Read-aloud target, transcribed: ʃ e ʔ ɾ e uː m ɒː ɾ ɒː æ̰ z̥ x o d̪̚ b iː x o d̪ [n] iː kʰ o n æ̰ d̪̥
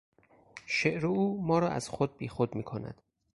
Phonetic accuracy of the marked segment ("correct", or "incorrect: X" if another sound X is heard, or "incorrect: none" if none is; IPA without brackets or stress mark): incorrect: m